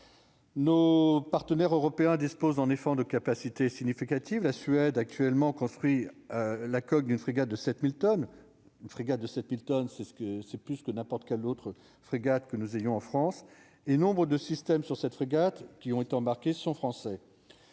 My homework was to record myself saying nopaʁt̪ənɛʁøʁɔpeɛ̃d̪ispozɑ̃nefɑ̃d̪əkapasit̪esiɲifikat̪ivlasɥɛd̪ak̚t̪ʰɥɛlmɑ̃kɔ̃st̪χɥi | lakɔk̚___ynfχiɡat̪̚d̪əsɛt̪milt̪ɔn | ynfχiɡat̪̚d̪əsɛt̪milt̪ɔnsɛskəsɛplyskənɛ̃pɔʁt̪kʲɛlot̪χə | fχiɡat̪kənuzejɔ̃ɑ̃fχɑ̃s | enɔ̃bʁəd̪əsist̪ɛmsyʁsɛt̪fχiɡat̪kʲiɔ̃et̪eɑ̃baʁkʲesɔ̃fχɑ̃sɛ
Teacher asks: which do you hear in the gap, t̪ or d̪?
d̪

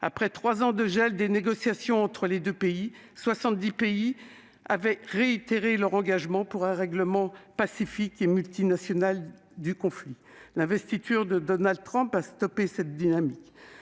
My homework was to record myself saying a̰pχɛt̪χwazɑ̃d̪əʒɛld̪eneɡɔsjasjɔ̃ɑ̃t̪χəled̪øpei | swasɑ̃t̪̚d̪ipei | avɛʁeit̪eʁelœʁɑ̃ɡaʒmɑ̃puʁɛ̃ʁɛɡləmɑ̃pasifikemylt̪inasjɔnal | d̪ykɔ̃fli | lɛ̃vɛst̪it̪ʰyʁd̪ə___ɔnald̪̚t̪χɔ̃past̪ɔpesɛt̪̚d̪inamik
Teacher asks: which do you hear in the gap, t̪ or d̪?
d̪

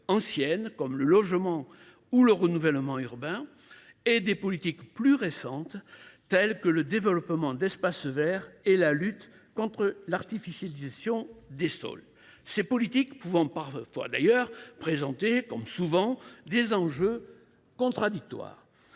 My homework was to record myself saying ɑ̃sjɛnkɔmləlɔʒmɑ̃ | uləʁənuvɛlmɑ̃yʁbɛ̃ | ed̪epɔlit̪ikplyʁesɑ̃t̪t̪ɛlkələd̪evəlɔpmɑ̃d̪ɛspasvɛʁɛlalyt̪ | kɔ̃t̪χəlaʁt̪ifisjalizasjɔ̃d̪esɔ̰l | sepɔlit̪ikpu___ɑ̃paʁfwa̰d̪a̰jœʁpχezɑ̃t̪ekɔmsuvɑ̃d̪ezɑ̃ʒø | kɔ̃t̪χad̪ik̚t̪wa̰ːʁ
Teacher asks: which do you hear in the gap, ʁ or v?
v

